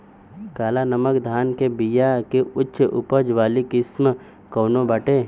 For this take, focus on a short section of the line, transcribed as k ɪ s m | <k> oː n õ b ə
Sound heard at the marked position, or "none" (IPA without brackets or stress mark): k